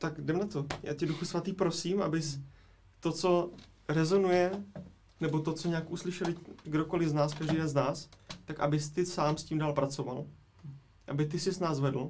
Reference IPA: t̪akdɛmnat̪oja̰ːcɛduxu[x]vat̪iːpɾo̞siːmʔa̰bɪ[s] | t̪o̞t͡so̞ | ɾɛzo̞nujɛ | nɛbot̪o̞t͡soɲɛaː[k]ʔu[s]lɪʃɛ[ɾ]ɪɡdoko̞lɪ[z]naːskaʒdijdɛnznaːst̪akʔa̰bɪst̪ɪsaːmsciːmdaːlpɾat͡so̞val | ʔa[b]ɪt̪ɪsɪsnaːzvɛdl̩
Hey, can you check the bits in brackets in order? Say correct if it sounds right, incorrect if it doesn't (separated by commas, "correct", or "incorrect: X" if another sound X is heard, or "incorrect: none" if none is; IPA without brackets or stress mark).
incorrect: s, correct, correct, correct, incorrect: l, correct, correct